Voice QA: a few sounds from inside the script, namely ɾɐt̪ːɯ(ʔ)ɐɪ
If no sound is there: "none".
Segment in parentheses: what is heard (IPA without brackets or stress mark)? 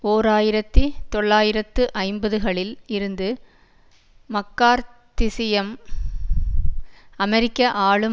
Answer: ʔ